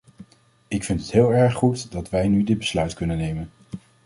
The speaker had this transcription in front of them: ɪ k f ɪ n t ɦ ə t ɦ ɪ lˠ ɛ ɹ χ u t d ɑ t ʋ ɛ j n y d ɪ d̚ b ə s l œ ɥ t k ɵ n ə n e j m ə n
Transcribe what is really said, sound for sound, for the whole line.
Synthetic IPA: ɪ k f ɪ n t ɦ ə t ɦ ɪː lˠ ɛ ɹ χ u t d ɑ t ʋ ɛ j n y d ɪ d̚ b ə s l œ ɥ t k ɵ n ə n e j m ə n